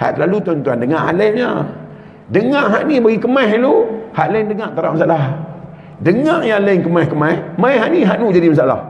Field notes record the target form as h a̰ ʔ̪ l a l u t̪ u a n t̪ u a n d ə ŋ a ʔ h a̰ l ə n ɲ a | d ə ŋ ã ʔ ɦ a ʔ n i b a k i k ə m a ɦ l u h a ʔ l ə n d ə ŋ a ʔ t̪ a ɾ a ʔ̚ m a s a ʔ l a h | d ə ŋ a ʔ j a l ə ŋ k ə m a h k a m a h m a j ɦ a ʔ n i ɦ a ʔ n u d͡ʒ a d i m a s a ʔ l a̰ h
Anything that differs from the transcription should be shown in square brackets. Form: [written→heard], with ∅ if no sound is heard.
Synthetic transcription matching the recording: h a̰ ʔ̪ l a l u t̪ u a n t̪ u a n d ə ŋ a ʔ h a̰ l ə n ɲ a | d ə ŋ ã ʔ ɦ a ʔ n i b a [k→ɡ] i k ə m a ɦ l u h a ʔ l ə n d ə ŋ a ʔ t̪ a ɾ a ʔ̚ m a s a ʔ l a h | d ə ŋ a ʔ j a l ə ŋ k ə m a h k [a→ə] m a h m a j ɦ a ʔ n i ɦ a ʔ n u d͡ʒ a d i m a s a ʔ l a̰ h